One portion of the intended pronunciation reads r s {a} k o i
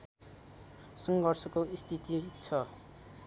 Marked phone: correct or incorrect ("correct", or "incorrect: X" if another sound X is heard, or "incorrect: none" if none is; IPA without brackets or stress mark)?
incorrect: ʌ